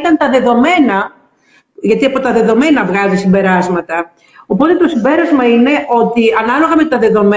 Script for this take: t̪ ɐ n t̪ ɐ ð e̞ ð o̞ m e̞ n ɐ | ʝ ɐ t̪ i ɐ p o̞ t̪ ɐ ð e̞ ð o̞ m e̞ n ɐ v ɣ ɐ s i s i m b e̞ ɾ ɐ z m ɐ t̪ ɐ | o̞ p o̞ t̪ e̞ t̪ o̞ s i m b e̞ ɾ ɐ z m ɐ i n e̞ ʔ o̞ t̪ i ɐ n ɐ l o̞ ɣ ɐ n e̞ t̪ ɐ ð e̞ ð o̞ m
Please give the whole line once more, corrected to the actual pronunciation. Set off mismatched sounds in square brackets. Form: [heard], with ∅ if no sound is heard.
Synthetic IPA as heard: t̪ ɐ n t̪ ɐ ð e̞ ð o̞ m e̞ n ɐ | ʝ ɐ t̪ i ɐ p o̞ t̪ ɐ ð e̞ ð o̞ m e̞ n ɐ v ɣ ɐ [z] i s i m b e̞ ɾ ɐ z m ɐ t̪ ɐ | o̞ p o̞ t̪ e̞ t̪ o̞ s i m b e̞ ɾ ɐ z m ɐ i n e̞ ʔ o̞ t̪ i ɐ n ɐ l o̞ ɣ ɐ [m] e̞ t̪ ɐ ð e̞ ð o̞ m